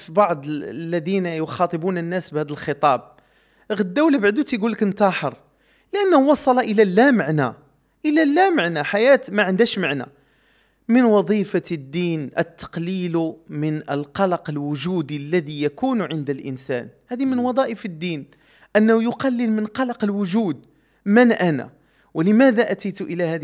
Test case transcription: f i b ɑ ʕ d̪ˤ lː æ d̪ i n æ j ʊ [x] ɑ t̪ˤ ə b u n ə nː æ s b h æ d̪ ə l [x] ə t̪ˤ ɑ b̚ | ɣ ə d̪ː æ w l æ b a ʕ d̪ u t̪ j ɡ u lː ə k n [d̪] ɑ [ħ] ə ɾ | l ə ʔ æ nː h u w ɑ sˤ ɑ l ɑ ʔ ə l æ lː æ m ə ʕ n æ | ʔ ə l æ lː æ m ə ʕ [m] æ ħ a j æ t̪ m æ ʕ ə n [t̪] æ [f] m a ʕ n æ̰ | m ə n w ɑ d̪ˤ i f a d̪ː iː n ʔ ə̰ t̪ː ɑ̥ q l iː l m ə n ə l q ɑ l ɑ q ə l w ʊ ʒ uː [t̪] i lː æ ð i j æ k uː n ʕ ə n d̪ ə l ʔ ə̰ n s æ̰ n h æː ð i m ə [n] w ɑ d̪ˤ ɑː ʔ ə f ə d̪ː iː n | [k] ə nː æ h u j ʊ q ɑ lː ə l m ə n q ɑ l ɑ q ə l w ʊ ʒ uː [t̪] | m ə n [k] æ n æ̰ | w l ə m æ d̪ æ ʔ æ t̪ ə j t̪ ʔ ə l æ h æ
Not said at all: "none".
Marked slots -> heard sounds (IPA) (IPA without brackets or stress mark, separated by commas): x, x, t̪, ħ, n, d̪, ʃ, d̪, n, ʔ, d̪, ʔ